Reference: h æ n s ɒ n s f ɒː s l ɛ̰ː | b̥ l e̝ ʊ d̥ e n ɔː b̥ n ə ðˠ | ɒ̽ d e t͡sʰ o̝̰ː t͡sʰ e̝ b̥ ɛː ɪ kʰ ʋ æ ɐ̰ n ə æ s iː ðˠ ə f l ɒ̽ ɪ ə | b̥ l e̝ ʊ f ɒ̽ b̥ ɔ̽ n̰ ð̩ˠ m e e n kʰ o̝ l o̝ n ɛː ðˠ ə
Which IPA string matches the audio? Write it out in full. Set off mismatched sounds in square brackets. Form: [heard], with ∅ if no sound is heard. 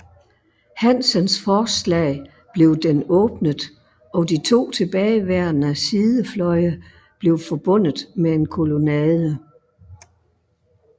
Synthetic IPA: h æ n s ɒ n s f ɒː s l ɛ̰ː | b̥ l e̝ ʊ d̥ e n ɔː b̥ n ə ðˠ | ɒ̽ d [i] t͡sʰ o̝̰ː t͡sʰ e̝ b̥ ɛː ɪ [∅] ʋ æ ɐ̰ n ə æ s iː ðˠ ə f l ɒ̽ ɪ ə | b̥ l e̝ ʊ f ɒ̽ b̥ ɔ̽ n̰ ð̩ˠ m e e n kʰ o̝ l o̝ n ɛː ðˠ ə